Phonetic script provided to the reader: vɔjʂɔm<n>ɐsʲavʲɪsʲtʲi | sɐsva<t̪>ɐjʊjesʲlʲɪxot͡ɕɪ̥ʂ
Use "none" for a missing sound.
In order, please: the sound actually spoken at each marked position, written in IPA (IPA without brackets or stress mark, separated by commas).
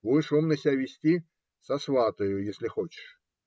n, t̪